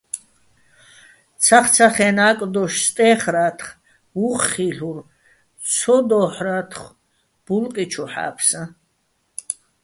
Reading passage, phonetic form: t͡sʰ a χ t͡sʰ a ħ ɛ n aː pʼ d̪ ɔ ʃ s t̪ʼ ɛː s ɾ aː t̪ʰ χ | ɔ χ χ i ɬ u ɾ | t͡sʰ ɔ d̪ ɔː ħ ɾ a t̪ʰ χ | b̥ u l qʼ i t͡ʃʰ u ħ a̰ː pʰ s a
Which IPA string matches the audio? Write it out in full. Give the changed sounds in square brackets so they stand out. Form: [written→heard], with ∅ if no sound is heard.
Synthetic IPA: t͡sʰ a χ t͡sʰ a [ħ→χ] ɛ n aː [pʼ→kʼ] d̪ ɔ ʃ s t̪ʼ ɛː [s→χ] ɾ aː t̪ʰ χ | [ɔ→u] χ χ i ɬ u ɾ | t͡sʰ ɔ d̪ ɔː ħ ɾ a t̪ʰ χ | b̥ u l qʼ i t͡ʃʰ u ħ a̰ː pʰ s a